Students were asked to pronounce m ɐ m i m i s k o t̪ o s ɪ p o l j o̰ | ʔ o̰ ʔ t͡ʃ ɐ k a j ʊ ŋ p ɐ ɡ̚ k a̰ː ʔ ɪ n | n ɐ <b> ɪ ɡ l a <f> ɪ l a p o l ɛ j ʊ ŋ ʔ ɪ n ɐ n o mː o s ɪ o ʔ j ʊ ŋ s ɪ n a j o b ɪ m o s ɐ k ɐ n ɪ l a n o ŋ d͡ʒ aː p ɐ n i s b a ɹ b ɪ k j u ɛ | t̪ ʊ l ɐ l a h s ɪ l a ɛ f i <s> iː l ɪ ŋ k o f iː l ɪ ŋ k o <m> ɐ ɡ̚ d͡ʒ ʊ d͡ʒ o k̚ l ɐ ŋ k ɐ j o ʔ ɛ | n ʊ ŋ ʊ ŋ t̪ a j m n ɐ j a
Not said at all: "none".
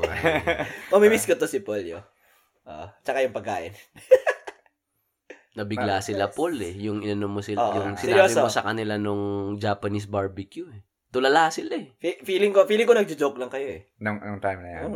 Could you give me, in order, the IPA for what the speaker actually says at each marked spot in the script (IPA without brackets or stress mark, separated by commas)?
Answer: b, s, f, n